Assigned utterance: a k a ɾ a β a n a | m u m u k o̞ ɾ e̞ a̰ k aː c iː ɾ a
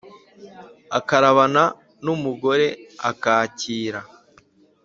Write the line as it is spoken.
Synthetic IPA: a k a ɾ a β a n a | n u m u ɡ o̞ ɾ e̞ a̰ k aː c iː ɾ a